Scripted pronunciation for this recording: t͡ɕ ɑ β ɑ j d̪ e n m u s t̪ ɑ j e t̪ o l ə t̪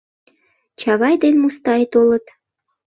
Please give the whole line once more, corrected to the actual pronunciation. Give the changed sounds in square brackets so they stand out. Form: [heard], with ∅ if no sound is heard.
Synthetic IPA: t͡ɕ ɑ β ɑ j d̪ e n m u s t̪ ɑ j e t̪ o l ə t̪